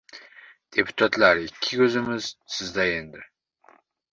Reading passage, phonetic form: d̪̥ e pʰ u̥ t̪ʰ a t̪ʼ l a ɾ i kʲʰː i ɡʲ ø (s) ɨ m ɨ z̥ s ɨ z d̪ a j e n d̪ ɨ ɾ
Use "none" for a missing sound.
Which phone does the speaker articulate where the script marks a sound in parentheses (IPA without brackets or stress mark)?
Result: z